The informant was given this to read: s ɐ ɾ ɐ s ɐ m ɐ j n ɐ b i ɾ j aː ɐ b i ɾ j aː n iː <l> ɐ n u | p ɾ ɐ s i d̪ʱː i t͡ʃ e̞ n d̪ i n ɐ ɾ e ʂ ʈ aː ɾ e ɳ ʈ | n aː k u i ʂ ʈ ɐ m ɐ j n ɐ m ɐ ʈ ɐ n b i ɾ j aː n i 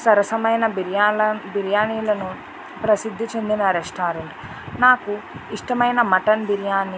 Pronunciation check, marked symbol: correct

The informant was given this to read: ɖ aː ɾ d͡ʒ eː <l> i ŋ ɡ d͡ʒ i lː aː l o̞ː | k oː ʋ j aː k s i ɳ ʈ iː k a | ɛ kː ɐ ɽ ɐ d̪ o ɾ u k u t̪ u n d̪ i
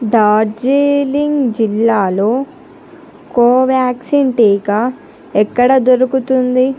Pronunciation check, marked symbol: correct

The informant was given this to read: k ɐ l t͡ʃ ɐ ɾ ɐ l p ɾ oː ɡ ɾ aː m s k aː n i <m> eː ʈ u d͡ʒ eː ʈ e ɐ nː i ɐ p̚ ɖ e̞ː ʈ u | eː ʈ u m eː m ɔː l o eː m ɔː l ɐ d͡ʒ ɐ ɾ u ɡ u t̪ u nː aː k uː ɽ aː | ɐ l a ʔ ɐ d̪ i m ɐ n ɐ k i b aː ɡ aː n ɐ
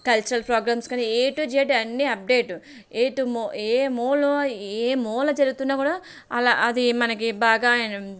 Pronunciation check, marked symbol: incorrect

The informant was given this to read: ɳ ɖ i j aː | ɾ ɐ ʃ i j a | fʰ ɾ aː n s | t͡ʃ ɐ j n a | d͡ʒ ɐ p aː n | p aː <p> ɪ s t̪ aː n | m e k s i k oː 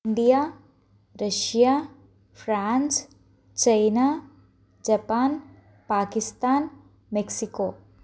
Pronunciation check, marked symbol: incorrect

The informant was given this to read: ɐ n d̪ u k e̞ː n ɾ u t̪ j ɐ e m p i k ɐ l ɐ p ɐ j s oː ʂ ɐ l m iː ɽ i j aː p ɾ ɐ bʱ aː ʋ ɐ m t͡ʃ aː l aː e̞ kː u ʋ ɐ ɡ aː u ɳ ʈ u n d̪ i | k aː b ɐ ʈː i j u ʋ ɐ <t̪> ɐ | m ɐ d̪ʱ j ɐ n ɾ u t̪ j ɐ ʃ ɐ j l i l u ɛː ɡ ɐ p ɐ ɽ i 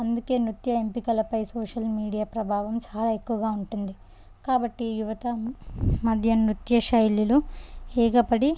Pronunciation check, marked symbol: correct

